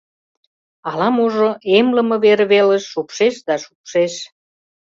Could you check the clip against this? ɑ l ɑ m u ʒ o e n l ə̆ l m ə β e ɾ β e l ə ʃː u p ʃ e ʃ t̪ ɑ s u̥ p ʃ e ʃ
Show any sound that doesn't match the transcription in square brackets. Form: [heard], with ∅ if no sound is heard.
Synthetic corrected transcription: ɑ l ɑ m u ʒ o e [m] l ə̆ [∅] m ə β e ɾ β e l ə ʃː u p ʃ e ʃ [d̪] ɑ [ʃ] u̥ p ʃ e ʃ